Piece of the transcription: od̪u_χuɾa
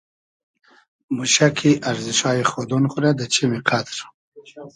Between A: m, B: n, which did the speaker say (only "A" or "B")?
B